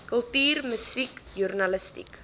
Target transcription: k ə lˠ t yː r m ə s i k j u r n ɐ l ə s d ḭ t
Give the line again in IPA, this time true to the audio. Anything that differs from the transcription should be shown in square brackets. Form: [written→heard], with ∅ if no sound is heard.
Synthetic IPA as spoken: k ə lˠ t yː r m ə s i k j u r n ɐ l ə s [d→t] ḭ [t→k]